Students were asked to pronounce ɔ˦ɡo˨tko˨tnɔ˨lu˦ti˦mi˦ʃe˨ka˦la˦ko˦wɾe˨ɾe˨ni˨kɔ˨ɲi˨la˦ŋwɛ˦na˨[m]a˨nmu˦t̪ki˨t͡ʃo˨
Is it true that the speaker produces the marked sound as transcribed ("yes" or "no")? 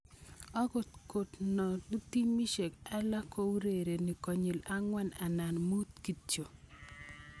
no